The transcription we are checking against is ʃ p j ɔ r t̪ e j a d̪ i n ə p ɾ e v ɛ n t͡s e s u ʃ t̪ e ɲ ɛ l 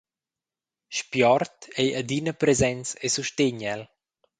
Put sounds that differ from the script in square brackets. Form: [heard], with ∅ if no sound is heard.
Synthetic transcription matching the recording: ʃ p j ɔ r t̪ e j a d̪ i n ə p ɾ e [z] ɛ n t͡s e s u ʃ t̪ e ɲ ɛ l